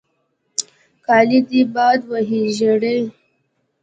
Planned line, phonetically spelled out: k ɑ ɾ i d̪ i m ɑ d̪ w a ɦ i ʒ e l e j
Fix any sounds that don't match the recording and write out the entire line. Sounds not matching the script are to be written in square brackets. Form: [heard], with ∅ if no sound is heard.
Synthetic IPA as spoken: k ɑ [l] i d̪ i [b] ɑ d̪ w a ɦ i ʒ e [ɽ] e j